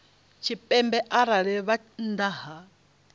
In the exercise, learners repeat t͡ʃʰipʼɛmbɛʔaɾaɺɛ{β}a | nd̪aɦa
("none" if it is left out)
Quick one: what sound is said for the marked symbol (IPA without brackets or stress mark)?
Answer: β